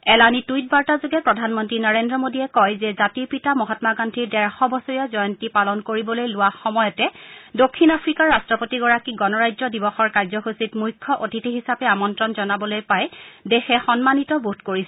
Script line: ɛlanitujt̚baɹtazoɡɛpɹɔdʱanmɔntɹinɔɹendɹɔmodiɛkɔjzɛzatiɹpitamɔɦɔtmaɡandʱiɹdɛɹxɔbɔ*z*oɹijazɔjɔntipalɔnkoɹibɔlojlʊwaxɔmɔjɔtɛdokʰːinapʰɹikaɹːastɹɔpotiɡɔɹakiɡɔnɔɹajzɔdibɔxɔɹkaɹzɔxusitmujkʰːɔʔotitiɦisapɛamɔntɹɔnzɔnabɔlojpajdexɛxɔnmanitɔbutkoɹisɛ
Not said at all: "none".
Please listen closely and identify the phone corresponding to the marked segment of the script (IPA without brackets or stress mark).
s